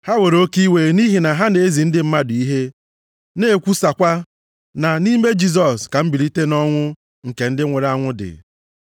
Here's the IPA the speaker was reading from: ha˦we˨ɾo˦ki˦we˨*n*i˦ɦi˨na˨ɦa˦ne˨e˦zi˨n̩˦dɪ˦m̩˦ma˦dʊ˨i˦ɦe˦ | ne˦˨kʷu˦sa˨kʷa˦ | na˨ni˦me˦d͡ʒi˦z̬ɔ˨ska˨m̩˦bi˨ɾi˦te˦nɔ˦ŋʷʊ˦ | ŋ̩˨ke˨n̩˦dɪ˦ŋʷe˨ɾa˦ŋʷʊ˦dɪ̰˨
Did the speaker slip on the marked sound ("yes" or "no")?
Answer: no